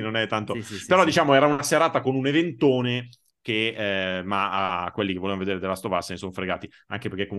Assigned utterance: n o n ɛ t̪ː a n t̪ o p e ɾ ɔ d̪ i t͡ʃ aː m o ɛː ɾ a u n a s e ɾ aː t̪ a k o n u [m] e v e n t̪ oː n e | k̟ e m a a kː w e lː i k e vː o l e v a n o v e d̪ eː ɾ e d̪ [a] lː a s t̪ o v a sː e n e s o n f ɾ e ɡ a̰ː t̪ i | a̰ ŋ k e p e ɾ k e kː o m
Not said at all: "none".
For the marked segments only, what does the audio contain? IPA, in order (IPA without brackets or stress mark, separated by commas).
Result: n, e